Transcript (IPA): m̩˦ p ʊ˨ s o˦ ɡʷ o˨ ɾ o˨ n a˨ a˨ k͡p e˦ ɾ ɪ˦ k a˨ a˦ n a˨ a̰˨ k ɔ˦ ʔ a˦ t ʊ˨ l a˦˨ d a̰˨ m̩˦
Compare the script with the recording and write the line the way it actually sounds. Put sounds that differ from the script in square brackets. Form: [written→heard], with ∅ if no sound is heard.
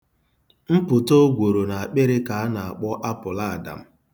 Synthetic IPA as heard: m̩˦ p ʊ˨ [s→t] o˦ ɡʷ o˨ ɾ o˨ n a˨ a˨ k͡p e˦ ɾ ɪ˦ k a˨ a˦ n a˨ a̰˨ [k→k͡p] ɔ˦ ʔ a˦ [t→p] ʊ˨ l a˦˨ d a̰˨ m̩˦